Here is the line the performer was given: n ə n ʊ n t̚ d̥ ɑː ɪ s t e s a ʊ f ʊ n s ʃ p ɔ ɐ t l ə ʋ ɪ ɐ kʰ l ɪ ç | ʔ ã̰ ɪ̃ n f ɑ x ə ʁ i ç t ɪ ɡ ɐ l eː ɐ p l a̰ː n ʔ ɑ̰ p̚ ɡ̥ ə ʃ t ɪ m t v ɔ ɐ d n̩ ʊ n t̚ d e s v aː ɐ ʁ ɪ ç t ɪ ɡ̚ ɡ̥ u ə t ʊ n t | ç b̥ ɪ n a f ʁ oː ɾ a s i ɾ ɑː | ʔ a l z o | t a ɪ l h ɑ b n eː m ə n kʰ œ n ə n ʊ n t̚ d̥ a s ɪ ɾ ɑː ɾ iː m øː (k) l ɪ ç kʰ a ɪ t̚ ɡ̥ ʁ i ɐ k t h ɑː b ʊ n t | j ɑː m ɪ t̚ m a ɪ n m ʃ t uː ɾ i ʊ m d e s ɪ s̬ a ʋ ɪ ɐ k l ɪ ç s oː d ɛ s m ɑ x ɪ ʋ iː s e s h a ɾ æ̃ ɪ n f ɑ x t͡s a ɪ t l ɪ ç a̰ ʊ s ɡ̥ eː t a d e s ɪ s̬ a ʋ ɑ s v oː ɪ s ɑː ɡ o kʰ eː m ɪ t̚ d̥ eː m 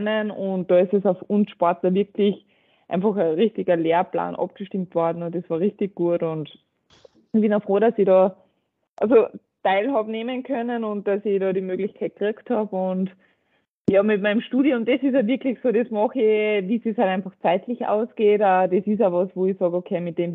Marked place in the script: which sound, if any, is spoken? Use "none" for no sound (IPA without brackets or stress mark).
ɡ